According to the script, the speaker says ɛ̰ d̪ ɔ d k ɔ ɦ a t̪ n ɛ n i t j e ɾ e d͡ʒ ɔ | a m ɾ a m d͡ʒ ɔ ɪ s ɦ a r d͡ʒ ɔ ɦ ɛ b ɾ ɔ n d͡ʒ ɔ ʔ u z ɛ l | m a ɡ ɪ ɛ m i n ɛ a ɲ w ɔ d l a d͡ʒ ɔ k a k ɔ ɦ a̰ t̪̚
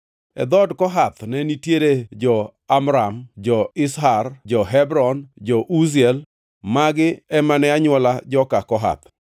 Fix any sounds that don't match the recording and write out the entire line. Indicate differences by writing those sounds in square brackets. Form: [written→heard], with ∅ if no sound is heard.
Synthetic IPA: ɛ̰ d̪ ɔ d k ɔ ɦ a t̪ n ɛ n i t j e ɾ e d͡ʒ ɔ | a m ɾ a m d͡ʒ ɔ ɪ s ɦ a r d͡ʒ ɔ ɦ ɛ b ɾ ɔ n d͡ʒ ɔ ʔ u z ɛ l | m a ɡ ɪ ɛ m [i→a] n ɛ a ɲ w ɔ [d→∅] l a d͡ʒ ɔ k a k ɔ ɦ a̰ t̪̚